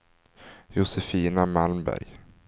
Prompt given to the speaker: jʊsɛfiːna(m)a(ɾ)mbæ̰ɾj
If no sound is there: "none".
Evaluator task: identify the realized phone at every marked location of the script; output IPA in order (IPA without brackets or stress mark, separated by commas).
m, l